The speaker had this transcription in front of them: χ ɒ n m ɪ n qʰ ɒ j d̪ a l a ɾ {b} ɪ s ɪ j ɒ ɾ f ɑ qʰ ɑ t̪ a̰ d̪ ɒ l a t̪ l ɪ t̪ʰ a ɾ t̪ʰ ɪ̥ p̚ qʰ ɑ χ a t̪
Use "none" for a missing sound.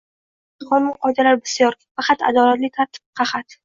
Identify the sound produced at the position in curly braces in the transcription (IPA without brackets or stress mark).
b